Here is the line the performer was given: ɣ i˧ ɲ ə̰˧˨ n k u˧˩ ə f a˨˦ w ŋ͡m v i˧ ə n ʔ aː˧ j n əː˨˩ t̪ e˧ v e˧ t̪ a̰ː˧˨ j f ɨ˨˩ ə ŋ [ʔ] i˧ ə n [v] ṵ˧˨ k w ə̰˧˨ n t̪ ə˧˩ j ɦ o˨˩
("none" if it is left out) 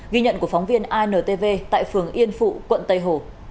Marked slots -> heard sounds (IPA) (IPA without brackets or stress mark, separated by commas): ʔ, f